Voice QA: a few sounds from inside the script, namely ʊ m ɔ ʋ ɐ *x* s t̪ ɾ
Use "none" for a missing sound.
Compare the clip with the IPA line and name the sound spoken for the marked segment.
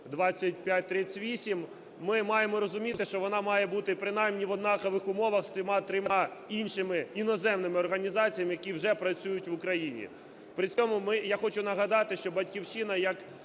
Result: x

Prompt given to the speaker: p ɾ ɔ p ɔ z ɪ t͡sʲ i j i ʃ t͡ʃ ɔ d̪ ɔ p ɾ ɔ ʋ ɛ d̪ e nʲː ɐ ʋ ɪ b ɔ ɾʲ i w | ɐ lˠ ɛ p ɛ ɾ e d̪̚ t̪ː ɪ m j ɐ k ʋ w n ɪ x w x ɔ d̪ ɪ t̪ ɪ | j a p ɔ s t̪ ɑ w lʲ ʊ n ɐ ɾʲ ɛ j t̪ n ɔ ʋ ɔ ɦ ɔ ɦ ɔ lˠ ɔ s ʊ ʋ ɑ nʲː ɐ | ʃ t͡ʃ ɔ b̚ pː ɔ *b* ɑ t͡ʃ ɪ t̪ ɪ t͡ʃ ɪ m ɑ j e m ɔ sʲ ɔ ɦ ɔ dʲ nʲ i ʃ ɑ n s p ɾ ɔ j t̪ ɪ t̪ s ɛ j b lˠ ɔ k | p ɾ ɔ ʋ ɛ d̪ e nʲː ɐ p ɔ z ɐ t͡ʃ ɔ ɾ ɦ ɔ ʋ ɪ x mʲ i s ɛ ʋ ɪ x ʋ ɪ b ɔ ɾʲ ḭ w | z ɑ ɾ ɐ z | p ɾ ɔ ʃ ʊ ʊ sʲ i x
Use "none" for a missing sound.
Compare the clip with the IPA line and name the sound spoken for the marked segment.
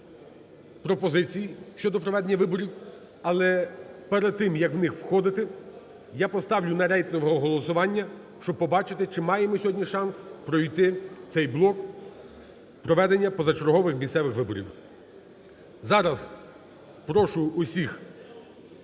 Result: b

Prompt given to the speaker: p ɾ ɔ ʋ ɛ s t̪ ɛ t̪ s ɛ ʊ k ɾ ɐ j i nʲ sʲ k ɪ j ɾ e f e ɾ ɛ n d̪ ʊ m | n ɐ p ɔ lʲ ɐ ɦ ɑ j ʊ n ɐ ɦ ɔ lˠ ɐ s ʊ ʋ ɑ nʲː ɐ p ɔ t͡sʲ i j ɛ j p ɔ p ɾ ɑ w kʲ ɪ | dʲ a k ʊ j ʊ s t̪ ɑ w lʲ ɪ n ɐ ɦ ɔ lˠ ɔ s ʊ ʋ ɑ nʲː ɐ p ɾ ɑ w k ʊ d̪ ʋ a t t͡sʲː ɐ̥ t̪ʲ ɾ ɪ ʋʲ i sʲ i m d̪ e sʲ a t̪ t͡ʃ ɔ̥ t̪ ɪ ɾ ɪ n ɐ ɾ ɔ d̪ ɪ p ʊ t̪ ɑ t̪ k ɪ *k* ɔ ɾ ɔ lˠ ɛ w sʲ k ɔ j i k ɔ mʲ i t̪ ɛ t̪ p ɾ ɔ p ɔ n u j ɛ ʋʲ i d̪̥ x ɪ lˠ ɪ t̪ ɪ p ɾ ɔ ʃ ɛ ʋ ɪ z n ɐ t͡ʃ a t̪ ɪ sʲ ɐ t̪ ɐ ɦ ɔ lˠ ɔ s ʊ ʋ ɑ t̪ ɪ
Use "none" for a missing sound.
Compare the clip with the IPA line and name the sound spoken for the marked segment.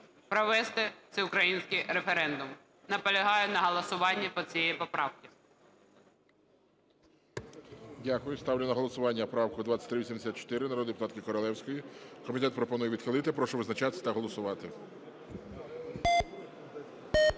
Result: k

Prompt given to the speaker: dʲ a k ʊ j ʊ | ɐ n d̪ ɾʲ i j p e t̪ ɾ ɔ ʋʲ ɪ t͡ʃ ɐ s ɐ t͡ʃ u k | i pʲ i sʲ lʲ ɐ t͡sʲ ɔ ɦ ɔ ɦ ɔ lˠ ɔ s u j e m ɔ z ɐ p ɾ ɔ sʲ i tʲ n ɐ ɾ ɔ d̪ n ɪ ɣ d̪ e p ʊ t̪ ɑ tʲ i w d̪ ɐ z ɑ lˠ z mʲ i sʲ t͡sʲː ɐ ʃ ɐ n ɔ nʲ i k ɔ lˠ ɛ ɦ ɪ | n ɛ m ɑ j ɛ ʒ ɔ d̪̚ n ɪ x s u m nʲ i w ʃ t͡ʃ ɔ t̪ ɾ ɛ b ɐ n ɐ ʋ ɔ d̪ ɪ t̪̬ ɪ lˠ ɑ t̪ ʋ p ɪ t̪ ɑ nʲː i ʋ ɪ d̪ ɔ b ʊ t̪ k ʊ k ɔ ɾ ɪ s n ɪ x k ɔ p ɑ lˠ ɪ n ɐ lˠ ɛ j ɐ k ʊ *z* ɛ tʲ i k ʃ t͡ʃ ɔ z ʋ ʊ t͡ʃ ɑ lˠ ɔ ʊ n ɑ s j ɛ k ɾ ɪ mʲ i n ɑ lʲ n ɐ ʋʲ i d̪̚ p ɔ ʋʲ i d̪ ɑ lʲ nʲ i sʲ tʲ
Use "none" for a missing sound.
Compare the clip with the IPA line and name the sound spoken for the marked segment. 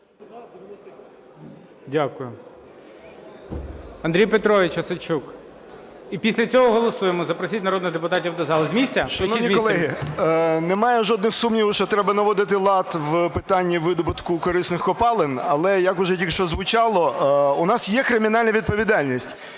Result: ʒ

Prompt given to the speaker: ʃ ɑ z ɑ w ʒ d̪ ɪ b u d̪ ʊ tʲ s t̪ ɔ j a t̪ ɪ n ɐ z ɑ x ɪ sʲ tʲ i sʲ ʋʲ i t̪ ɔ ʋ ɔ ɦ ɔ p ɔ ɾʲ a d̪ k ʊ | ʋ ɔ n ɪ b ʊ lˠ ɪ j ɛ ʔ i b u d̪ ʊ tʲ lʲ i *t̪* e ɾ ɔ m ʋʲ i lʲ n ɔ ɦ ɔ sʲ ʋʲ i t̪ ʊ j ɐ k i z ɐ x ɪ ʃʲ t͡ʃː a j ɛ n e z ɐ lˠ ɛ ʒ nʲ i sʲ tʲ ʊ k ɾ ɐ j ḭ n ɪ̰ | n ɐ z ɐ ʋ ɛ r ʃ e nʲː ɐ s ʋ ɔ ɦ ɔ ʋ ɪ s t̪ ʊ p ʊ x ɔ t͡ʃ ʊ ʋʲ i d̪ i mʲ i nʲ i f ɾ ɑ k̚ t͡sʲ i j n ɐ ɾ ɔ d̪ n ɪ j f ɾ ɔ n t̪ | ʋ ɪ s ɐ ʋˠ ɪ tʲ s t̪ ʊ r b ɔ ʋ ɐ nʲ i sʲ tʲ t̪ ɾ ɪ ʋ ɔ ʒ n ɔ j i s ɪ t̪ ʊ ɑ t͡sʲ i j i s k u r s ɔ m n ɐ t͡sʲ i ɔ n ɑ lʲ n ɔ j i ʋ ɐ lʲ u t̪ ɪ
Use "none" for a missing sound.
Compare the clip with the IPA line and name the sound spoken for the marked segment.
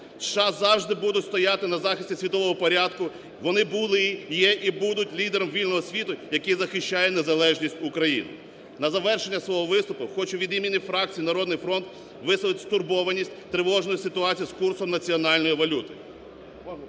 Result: d̪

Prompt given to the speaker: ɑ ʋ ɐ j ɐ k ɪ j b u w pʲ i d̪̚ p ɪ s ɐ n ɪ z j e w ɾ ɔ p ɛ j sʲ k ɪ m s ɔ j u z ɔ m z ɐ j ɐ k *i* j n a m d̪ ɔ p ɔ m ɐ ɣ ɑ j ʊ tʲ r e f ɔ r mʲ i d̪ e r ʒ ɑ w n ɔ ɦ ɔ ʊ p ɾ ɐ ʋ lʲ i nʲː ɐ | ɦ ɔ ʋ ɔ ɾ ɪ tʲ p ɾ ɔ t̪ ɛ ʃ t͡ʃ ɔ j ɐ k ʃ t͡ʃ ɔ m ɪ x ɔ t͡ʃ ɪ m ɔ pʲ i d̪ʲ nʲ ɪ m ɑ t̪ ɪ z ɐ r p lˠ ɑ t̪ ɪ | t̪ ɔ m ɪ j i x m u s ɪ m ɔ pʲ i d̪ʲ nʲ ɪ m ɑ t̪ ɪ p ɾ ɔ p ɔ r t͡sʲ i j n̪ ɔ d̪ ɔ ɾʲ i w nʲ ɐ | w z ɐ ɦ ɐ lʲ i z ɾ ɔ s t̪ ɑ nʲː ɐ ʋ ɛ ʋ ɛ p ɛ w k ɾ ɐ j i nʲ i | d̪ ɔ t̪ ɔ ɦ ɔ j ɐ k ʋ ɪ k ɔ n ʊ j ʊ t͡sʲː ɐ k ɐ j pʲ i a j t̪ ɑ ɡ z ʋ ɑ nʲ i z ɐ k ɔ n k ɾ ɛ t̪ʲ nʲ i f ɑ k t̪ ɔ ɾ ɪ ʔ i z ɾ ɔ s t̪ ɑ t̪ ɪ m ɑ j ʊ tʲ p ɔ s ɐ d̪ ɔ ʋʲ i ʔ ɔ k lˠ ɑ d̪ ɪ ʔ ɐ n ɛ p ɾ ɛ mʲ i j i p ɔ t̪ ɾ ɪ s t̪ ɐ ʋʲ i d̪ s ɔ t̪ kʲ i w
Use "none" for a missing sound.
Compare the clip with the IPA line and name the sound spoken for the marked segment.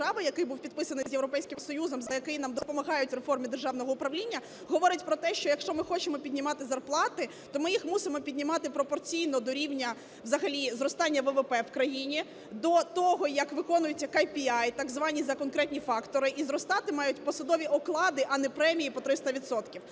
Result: ɪ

